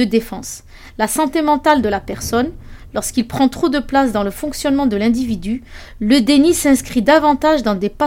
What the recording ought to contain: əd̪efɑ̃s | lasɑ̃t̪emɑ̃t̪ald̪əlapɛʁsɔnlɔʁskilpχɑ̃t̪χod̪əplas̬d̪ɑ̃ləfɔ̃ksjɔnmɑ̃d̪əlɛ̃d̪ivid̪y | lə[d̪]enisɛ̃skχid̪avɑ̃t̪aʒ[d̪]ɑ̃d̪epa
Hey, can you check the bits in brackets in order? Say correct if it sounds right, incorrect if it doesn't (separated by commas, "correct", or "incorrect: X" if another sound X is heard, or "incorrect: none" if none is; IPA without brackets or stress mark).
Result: correct, correct